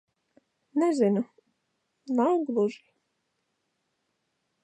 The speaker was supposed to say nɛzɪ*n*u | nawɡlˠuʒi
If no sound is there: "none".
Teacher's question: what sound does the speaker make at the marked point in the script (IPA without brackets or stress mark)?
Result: n